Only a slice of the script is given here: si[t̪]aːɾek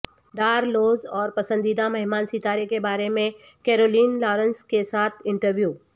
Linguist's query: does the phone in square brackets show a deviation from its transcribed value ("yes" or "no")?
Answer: no